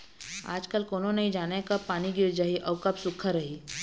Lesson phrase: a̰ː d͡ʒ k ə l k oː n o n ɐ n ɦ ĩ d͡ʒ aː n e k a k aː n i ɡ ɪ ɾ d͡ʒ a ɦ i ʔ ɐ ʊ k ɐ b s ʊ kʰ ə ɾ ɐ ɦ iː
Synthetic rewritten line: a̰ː d͡ʒ k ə l k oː n o n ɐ ɦ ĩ d͡ʒ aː n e k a p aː n i ɡ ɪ ɾ d͡ʒ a ɦ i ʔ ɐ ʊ k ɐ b s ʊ kʰ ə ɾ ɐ ɦ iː